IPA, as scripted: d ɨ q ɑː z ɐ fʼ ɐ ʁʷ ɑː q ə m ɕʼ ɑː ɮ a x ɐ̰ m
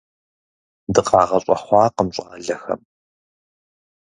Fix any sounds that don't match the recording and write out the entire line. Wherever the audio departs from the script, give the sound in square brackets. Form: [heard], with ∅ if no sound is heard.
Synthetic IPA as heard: d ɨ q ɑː [ʁ] ɐ [ɕʼ] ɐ [χʷ] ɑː q ə m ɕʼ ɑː ɮ [ɐ] x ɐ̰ m